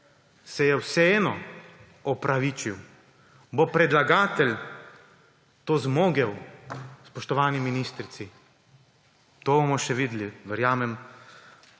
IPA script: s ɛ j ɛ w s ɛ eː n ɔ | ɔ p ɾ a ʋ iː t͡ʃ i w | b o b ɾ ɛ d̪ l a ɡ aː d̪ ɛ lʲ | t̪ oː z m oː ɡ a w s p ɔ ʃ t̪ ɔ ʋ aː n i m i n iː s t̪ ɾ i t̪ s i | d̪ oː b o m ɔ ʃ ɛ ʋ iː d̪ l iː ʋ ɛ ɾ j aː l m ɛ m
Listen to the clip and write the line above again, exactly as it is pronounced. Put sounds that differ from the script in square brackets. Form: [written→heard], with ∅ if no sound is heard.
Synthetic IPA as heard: s ɛ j ɛ w s ɛ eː n ɔ | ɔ p ɾ a ʋ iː t͡ʃ i w | b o [b→p] ɾ ɛ d̪ l a ɡ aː [d̪→t̪] ɛ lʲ | t̪ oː z m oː ɡ [a→ɛ] w s p ɔ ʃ t̪ ɔ ʋ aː n i m i n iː s t̪ ɾ i t̪ s i | [d̪→t̪] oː b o m ɔ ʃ ɛ ʋ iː d̪ l [iː→i] ʋ ɛ ɾ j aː [l→∅] m ɛ m